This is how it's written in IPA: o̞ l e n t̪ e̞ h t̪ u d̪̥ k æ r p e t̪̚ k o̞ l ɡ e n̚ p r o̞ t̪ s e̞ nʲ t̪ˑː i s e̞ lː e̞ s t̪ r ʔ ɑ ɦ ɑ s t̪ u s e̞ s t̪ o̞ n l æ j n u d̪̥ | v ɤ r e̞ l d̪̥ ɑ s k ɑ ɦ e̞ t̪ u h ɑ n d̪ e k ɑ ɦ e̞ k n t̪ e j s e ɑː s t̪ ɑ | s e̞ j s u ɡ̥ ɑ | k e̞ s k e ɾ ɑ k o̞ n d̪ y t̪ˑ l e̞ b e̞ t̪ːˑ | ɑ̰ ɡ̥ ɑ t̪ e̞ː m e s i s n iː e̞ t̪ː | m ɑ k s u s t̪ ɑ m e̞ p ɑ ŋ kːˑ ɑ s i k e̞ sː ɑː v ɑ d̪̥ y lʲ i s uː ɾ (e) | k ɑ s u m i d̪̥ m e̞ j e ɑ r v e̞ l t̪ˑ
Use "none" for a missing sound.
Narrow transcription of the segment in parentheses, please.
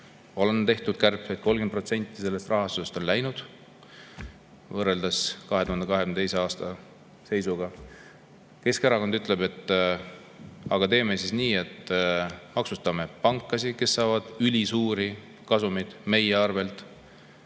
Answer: i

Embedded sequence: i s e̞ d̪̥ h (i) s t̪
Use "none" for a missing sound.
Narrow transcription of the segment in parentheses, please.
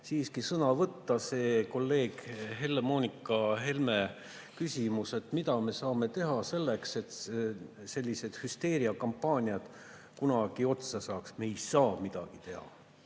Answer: y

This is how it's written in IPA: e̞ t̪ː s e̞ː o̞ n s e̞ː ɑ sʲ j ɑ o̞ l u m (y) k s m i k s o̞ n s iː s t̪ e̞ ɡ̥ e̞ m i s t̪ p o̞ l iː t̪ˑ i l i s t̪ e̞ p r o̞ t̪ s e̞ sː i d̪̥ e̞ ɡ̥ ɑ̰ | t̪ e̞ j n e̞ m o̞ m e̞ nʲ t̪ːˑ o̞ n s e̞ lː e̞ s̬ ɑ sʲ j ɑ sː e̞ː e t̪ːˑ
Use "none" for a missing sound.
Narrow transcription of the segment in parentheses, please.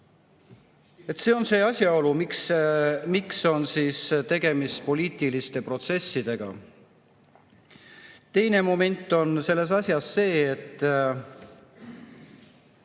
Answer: i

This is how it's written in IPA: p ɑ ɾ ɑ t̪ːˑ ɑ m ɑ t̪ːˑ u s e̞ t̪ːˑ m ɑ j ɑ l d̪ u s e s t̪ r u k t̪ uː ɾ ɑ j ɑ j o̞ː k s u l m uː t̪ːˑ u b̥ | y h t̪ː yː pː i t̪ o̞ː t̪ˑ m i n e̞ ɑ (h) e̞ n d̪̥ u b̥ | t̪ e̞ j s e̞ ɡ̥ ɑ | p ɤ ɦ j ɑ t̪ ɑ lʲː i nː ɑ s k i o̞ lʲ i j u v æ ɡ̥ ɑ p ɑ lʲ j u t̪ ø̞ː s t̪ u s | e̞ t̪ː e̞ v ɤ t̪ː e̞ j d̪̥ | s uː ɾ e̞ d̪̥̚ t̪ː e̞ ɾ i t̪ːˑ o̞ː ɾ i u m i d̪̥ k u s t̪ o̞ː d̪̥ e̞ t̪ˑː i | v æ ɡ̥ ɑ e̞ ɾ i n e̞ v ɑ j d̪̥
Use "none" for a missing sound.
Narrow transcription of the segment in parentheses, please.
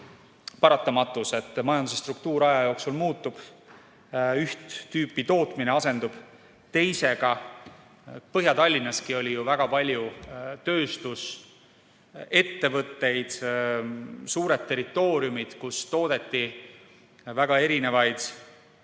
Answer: s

